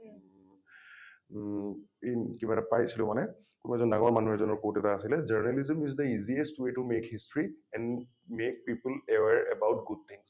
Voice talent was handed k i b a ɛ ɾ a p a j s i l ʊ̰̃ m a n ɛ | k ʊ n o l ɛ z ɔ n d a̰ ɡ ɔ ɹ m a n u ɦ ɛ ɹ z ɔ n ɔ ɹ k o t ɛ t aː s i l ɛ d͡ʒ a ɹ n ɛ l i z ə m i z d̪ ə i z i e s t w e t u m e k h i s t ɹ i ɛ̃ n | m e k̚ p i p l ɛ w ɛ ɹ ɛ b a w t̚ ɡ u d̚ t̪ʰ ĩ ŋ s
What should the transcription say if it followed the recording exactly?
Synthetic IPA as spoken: k i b a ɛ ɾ a p a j s i l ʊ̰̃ m a n ɛ | k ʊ n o ɛ z ɔ n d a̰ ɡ ɔ ɹ m a n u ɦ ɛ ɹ z ɔ n ɔ ɹ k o t ɛ t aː s i l ɛ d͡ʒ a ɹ n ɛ l i z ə m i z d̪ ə i z i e s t w e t u m e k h i s t ɹ i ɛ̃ n | m e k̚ p i p l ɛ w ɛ ɹ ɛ b a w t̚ ɡ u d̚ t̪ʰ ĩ ŋ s